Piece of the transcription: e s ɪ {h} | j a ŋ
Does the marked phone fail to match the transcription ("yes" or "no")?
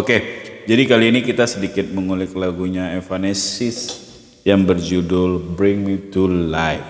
yes